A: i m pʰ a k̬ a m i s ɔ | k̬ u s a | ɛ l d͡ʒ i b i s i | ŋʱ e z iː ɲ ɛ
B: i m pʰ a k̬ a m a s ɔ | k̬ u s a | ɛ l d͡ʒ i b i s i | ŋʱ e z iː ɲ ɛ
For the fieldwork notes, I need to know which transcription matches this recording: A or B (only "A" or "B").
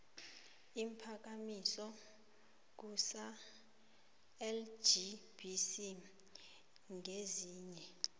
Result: A